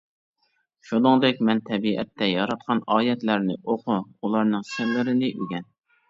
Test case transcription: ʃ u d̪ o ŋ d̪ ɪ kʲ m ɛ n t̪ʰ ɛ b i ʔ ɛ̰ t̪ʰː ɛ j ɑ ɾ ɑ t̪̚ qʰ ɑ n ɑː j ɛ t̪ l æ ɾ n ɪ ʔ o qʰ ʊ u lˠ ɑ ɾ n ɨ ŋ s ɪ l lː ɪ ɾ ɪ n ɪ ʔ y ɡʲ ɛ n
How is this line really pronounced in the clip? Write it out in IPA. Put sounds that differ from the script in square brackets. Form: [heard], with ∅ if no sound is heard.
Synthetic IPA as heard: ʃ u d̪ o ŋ d̪ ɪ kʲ m ɛ n t̪ʰ ɛ b i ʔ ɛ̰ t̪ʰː ɛ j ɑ ɾ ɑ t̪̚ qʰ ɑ n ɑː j ɛ t̪ l æ ɾ n ɪ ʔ o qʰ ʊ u lˠ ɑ ɾ n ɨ ŋ s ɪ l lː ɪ ɾ ɪ n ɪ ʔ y ɡʲ ɛ n